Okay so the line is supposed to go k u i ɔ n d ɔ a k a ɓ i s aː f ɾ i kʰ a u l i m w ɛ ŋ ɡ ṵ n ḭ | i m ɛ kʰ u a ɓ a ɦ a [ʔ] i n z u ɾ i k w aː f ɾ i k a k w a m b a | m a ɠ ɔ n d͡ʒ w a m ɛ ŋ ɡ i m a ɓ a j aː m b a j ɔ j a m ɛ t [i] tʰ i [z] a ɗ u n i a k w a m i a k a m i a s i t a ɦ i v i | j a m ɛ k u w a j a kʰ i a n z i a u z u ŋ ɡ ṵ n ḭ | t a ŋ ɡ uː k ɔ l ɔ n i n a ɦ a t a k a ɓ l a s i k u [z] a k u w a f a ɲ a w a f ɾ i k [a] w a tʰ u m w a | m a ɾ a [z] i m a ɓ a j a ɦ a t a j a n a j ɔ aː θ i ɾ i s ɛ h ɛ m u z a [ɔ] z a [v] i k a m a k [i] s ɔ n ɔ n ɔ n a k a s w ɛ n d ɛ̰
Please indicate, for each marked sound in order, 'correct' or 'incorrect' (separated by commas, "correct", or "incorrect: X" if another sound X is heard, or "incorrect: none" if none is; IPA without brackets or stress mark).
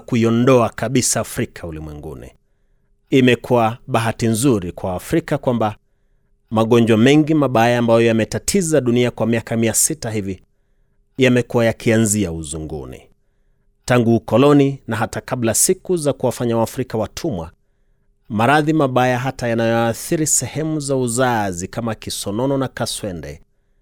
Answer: incorrect: t, incorrect: a, correct, correct, correct, incorrect: ð, incorrect: u, incorrect: z, correct